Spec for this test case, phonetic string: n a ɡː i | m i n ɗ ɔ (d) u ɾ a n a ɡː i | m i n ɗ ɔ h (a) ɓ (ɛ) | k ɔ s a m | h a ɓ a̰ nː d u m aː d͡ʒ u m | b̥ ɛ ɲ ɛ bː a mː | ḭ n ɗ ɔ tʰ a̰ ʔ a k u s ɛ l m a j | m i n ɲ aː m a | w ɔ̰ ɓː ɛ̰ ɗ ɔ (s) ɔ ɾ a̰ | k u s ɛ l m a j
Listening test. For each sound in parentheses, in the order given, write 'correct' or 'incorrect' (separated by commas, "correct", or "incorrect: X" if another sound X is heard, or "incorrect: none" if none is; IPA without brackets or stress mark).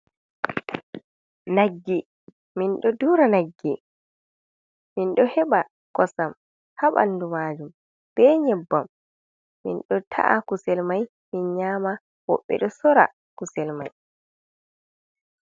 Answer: correct, incorrect: ɛ, incorrect: a, correct